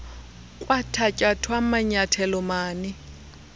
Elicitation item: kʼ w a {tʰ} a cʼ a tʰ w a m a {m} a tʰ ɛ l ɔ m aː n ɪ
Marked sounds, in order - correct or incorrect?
correct, incorrect: ɲ

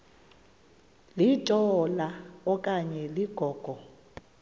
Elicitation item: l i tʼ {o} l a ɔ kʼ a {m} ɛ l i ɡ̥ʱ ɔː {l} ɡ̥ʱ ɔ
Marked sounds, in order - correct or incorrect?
incorrect: ɔ, incorrect: ɲ, incorrect: none

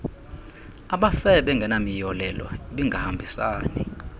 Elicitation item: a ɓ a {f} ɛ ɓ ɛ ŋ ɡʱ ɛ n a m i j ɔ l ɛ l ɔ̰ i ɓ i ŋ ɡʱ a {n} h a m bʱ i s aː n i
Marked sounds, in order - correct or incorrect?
correct, incorrect: none

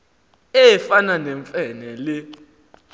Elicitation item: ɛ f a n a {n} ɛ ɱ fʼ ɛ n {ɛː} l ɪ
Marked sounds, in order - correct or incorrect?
correct, incorrect: ɛ

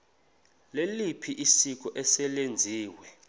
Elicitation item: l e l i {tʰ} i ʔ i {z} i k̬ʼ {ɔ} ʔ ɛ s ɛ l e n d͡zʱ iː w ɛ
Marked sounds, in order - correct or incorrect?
incorrect: pʰ, incorrect: s, correct

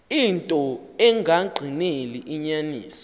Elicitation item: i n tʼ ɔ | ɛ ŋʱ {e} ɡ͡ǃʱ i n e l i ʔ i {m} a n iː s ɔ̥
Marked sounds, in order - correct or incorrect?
incorrect: a, incorrect: ɲ

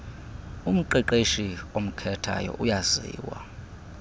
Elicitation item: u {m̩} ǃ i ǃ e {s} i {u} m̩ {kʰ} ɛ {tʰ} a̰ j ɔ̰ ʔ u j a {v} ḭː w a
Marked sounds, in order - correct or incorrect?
correct, incorrect: ʃ, incorrect: o, correct, correct, incorrect: z

